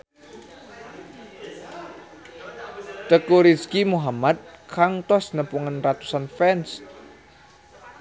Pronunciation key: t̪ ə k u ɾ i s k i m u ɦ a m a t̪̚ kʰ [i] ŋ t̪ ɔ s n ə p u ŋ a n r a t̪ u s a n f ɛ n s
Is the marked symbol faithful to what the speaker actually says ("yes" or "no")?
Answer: no